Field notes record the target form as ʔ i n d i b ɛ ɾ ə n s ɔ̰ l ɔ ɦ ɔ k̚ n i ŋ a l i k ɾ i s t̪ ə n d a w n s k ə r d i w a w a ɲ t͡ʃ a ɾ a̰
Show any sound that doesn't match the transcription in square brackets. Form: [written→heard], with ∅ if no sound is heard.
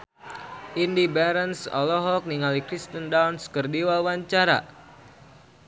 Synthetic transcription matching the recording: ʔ i n d i b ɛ ɾ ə n s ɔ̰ l ɔ ɦ ɔ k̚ n i ŋ a l i k ɾ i s t̪ ə n d a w n s k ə r d i w a w a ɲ t͡ʃ a ɾ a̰